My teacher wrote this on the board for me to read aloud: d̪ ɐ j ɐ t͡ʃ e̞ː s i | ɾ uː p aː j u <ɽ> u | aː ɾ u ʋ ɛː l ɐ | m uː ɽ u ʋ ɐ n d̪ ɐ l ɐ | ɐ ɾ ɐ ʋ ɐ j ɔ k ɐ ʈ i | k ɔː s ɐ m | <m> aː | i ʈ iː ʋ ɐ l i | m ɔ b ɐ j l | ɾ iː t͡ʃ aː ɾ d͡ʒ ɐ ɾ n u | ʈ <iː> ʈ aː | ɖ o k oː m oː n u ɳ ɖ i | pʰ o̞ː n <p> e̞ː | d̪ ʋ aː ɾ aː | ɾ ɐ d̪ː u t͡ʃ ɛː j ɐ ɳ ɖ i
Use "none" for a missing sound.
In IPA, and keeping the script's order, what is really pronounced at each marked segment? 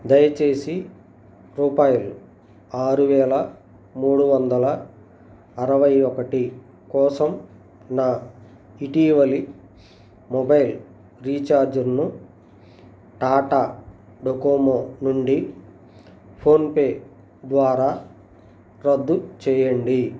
l, n, aː, p

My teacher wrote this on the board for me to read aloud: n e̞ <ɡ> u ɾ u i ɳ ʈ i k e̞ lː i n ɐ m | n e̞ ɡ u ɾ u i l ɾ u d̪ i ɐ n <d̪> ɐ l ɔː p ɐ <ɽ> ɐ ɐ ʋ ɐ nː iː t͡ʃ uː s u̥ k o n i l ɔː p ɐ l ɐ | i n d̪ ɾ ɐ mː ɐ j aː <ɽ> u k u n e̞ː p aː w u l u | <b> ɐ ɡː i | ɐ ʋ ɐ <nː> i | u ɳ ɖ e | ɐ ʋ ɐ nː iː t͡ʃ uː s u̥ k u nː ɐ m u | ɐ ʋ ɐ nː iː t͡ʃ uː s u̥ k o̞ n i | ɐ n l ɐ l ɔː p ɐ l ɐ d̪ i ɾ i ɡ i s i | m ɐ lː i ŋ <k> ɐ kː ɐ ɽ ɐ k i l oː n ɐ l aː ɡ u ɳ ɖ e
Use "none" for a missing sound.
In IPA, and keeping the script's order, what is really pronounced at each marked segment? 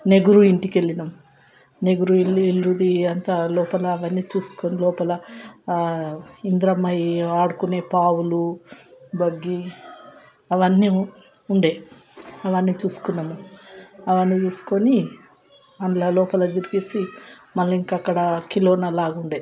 ɡ, t̪, l, ɽ, b, nː, k

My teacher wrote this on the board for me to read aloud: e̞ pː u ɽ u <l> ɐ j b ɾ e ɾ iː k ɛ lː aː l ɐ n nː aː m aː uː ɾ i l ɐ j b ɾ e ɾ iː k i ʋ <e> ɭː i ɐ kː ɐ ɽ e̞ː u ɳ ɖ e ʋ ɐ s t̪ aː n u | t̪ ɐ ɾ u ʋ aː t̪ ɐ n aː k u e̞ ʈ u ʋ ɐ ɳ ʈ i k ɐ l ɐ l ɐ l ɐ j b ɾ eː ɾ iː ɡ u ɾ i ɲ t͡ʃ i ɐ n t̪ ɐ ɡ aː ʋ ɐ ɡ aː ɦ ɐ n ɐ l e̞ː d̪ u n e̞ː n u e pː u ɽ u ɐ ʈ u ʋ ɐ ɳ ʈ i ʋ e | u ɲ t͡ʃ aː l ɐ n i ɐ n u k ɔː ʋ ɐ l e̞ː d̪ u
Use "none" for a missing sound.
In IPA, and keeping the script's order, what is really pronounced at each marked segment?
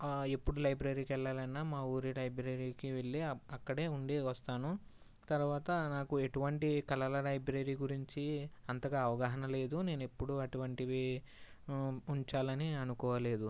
l, e

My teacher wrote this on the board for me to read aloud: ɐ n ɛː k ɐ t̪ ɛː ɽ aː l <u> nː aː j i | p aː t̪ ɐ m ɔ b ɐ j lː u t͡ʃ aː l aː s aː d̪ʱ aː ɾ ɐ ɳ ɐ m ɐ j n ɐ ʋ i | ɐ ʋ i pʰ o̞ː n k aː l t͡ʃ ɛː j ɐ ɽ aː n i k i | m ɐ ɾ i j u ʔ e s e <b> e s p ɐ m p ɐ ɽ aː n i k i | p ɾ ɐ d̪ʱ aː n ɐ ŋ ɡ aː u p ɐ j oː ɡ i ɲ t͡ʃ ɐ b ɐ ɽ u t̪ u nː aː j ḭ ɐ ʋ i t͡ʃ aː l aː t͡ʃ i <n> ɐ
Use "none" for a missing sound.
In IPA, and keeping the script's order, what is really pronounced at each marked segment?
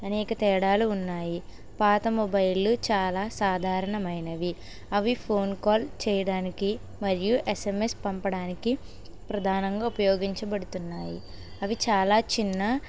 uː, m, nː

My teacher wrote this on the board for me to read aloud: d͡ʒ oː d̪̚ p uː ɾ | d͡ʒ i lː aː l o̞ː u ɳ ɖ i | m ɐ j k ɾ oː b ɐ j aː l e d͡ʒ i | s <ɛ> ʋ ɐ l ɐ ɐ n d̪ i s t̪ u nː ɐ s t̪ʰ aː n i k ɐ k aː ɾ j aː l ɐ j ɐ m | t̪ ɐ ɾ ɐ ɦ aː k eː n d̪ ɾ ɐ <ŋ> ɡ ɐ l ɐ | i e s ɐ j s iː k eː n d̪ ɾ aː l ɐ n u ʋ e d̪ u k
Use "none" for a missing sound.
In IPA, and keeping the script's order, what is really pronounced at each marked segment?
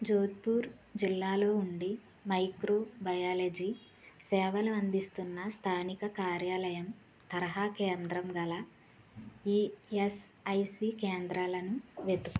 ɛː, m

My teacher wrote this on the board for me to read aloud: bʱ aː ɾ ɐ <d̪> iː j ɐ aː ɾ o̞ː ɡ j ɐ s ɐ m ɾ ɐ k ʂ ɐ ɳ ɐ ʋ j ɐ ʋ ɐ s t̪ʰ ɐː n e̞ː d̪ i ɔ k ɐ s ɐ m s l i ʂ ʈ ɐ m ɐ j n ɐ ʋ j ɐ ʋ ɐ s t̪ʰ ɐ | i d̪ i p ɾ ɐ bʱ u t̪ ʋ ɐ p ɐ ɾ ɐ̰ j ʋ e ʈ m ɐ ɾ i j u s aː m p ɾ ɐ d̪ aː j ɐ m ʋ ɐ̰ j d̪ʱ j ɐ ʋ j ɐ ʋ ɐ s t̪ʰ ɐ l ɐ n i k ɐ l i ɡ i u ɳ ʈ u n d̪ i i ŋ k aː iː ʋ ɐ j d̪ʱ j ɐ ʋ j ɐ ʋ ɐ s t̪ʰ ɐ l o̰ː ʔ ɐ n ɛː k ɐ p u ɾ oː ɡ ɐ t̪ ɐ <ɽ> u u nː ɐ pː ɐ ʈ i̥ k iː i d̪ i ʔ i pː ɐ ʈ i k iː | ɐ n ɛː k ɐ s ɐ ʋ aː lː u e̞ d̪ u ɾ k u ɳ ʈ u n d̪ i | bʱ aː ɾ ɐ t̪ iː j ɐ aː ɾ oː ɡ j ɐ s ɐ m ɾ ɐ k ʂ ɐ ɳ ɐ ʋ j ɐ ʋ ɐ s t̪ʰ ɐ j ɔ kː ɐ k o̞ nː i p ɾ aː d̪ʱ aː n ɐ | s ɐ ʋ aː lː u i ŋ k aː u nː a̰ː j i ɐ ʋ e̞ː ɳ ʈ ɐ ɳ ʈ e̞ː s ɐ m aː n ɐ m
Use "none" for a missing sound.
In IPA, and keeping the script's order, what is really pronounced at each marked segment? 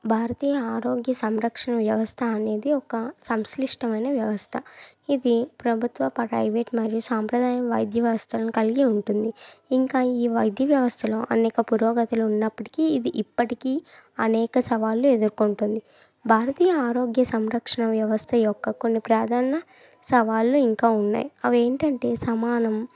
t̪, l

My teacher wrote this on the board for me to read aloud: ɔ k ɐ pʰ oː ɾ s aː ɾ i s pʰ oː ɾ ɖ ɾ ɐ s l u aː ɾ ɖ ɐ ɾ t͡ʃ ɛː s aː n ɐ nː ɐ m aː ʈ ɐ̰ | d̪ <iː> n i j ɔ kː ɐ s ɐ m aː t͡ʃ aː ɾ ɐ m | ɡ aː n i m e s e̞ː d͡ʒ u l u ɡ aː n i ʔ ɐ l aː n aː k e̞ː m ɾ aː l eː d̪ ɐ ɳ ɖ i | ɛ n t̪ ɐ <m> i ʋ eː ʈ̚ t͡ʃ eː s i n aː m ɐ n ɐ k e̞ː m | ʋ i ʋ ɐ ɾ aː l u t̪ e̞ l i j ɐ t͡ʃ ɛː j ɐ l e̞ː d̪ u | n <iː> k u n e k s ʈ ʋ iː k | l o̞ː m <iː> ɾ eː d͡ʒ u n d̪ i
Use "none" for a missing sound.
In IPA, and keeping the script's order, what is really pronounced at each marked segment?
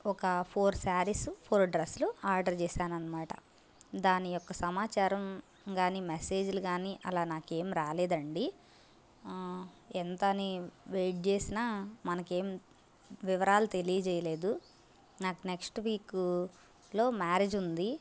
aː, n, aː, aː

